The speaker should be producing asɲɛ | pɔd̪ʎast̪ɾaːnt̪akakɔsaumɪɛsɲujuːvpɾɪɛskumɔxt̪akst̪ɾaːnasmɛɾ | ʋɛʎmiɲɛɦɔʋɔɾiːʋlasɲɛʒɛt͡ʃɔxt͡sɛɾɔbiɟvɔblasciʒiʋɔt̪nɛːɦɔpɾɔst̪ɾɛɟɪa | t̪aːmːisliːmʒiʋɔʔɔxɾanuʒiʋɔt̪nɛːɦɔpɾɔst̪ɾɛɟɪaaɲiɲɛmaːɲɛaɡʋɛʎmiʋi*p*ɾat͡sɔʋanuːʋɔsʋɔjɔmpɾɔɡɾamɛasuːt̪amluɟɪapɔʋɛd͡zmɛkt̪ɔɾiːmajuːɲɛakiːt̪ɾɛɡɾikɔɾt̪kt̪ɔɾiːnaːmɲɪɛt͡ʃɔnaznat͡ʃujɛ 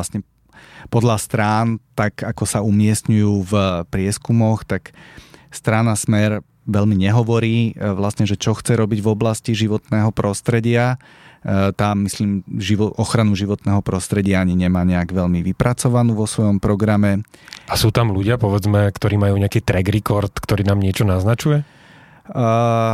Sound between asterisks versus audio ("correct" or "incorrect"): correct